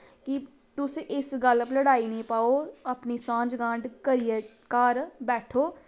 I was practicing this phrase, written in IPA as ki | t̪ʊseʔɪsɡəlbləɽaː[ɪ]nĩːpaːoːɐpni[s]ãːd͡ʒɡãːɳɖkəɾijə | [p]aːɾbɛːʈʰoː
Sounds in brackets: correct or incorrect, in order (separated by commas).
incorrect, correct, incorrect